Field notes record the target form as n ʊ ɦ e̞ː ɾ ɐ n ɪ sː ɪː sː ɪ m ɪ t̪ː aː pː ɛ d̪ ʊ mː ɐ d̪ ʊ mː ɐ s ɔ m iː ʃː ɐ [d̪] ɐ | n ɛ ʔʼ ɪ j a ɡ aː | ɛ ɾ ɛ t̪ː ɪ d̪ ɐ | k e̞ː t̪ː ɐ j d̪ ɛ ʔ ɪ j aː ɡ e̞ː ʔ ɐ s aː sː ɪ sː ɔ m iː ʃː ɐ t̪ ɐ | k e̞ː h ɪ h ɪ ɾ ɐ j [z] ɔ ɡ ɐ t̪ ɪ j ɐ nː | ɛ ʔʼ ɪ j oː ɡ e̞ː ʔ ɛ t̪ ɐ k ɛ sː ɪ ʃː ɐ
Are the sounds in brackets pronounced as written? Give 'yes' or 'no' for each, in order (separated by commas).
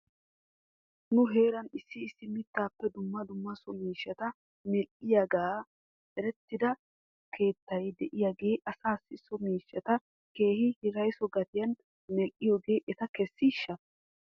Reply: no, no